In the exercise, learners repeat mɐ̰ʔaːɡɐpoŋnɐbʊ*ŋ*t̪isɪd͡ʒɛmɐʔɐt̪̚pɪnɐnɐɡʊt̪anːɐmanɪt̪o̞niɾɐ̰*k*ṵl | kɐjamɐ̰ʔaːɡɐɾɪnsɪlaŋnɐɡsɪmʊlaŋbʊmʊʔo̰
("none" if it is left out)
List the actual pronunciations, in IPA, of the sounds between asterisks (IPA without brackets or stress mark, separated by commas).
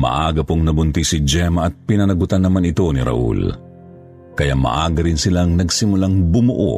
n, ʔ